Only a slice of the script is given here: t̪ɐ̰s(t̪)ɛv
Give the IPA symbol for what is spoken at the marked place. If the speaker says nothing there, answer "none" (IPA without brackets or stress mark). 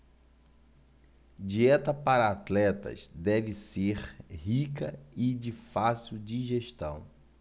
d̪